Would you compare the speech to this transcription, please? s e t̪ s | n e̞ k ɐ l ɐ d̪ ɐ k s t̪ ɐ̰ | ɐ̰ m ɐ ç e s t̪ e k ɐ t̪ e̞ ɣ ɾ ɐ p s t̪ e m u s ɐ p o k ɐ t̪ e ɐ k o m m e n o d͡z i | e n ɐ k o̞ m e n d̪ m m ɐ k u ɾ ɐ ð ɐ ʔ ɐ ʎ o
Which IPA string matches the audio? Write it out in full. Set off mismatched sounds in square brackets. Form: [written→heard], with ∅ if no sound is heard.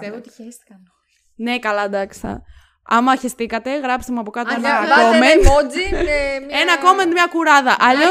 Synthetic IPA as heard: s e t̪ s | n e̞ k ɐ l ɐ d̪ ɐ k s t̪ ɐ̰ | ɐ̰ m ɐ ç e s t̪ [e→i] k ɐ t̪ e̞ ɣ ɾ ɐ p s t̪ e m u [s→∅] ɐ p o k ɐ t̪ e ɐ k o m m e n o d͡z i | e n ɐ k o̞ m e n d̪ m [m→ɲ] ɐ k u ɾ ɐ ð ɐ ʔ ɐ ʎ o